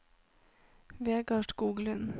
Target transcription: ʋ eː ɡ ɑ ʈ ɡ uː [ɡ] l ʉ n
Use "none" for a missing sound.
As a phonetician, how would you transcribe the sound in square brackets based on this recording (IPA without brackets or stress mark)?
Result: ɡ